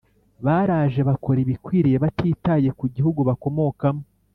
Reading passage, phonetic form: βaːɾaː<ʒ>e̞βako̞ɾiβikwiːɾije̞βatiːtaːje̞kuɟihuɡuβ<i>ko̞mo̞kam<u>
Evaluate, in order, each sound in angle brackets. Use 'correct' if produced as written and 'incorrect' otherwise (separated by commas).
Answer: correct, incorrect, incorrect